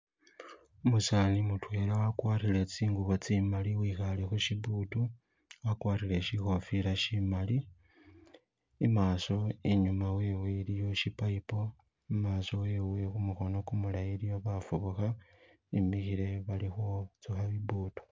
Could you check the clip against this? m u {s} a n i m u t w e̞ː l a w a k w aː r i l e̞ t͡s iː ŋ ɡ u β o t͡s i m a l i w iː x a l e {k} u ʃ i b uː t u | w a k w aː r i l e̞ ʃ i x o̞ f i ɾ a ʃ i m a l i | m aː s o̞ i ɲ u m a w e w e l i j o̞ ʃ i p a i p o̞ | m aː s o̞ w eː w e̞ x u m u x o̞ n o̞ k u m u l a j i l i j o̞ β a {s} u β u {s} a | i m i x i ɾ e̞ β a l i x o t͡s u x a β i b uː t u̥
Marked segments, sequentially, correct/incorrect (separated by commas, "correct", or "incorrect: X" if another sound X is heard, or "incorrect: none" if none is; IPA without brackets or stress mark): correct, incorrect: x, incorrect: f, incorrect: x